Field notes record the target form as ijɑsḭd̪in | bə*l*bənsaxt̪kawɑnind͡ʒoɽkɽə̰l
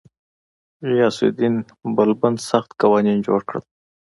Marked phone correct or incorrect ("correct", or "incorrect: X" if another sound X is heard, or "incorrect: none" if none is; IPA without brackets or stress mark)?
correct